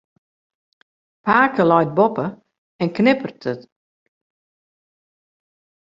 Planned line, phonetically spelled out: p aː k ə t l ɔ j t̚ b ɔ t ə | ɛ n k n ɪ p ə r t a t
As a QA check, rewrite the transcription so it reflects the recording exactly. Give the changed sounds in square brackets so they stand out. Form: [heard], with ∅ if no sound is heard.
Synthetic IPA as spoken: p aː k ə [∅] l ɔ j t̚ b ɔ [p] ə | ɛ n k n ɪ p ə r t [ə] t